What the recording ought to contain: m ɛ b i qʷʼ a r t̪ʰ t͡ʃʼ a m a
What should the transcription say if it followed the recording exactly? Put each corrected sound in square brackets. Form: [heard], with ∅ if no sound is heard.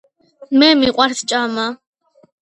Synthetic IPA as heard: m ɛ [m] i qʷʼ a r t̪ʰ t͡ʃʼ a m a